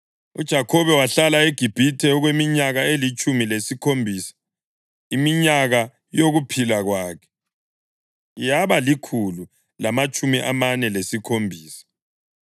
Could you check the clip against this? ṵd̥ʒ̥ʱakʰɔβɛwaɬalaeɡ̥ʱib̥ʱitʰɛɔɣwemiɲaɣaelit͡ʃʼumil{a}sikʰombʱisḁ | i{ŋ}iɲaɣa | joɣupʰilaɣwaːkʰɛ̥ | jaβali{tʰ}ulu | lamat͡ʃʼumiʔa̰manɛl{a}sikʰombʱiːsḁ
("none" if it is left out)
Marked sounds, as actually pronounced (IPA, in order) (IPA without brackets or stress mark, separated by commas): e, m, kʰ, e